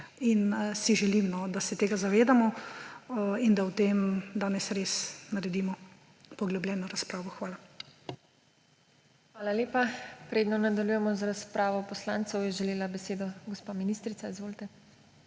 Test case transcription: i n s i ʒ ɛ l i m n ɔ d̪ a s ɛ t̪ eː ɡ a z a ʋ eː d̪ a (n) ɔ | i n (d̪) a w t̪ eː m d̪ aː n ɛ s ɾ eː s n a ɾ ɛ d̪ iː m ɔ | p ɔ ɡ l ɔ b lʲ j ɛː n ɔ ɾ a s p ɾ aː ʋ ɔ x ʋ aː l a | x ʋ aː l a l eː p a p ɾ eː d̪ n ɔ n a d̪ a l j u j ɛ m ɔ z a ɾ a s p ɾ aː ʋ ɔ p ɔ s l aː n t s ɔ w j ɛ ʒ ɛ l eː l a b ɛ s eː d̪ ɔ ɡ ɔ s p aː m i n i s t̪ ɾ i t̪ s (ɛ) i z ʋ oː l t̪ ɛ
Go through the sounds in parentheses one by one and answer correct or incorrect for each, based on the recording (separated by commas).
incorrect, correct, incorrect